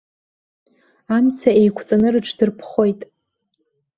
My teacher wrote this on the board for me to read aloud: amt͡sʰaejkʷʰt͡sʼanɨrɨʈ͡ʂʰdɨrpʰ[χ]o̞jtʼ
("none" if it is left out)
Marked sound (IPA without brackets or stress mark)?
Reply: χ